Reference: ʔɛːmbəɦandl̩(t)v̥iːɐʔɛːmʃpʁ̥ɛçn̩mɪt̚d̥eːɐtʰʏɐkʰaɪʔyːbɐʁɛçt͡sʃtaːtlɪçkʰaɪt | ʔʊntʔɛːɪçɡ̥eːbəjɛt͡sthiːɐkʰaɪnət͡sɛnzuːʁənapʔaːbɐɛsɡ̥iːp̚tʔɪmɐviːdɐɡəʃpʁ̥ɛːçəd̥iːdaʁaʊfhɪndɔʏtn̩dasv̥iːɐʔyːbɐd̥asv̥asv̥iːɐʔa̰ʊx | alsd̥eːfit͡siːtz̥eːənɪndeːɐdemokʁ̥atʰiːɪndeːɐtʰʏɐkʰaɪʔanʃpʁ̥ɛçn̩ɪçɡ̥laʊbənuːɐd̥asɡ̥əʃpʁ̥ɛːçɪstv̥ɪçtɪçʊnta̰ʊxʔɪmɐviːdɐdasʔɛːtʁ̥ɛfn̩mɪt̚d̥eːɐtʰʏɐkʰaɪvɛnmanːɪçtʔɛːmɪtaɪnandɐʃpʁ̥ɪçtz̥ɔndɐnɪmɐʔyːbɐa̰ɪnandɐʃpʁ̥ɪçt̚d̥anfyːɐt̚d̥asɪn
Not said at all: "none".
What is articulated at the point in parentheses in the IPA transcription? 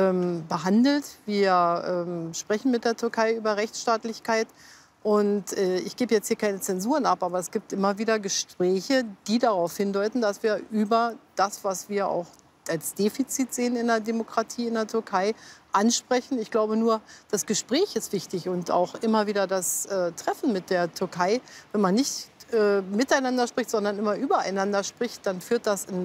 t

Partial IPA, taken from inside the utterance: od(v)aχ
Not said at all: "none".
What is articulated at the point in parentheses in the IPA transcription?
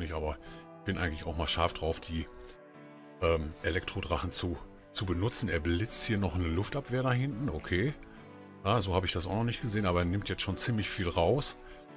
ʁ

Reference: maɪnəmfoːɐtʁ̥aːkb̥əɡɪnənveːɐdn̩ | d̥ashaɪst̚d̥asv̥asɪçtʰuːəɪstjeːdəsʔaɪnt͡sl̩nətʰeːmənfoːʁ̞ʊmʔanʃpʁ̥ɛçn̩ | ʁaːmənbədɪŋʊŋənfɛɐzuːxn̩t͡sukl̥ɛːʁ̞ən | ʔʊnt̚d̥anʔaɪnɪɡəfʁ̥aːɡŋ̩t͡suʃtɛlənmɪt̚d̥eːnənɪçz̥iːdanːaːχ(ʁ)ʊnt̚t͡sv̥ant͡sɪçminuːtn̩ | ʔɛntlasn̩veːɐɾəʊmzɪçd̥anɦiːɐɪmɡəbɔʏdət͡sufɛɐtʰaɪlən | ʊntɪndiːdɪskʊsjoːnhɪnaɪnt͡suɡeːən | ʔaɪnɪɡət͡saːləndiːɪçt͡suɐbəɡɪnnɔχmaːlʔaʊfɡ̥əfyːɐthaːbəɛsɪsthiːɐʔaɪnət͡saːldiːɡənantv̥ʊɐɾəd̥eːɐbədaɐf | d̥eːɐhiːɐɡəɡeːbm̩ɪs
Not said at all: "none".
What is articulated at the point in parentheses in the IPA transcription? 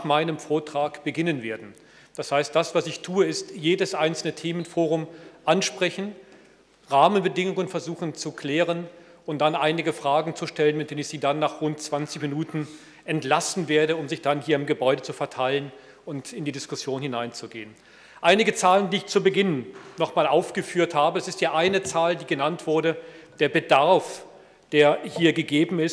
ʁ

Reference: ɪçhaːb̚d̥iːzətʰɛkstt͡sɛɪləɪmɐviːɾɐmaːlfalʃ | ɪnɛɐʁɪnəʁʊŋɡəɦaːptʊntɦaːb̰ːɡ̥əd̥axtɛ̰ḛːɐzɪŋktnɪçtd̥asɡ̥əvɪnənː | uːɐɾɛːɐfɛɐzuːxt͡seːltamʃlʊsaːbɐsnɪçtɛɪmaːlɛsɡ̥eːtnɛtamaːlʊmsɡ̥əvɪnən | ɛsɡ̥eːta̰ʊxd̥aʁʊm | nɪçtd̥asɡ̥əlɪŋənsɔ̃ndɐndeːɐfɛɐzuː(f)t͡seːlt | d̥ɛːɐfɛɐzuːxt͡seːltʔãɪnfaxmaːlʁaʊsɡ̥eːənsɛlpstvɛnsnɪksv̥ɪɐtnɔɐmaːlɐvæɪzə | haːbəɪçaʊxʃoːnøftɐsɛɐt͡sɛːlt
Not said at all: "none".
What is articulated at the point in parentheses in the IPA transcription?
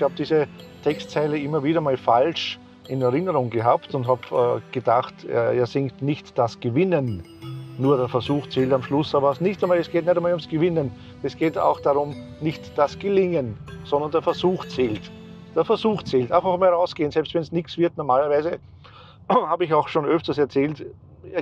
x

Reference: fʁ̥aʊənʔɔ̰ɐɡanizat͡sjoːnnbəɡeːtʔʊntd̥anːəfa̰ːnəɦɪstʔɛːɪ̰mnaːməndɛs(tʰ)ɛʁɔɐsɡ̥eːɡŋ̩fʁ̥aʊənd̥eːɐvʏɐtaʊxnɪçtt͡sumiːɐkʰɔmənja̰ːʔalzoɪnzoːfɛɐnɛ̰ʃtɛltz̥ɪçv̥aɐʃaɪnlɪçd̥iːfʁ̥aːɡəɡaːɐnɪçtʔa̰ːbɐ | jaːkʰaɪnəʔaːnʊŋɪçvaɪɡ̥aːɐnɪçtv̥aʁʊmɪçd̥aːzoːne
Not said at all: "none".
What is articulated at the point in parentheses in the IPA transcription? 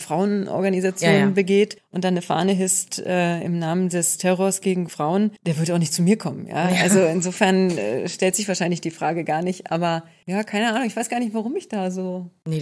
tʰ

